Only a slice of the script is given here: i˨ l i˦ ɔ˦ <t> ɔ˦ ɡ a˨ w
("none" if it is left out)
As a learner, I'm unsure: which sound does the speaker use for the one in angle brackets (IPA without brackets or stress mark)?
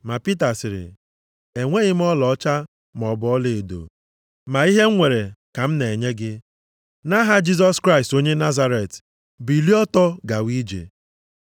t